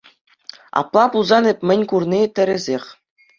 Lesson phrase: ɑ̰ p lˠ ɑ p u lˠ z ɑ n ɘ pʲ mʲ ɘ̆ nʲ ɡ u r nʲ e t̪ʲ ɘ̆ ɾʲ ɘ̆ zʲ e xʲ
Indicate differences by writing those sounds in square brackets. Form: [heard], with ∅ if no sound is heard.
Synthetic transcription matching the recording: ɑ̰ p lˠ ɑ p u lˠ z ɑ n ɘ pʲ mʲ ɘ̆ nʲ [k] u r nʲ [i] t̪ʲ ɘ̆ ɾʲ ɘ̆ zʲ e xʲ